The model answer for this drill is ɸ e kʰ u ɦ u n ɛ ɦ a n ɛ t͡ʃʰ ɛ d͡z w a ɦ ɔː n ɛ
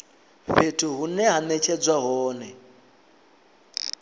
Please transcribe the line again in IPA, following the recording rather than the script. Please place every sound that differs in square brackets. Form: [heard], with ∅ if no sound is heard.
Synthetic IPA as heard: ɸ e [tʰ] u ɦ u n ɛ ɦ a n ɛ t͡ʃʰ ɛ d͡z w a ɦ ɔː n ɛ